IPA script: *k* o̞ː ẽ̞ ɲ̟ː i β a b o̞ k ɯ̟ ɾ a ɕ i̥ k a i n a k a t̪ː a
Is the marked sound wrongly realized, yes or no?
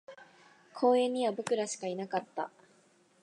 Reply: yes